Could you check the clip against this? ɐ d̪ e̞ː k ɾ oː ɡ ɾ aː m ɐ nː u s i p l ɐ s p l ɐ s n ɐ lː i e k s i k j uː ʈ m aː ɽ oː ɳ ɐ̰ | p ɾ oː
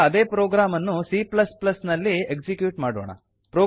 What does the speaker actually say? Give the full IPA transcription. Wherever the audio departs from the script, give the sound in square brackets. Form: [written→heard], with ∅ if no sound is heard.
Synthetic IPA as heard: ɐ d̪ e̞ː [k→p] ɾ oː ɡ ɾ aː m ɐ nː u s i p l ɐ s p l ɐ s n ɐ lː i e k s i k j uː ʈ m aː ɽ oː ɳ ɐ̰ | p ɾ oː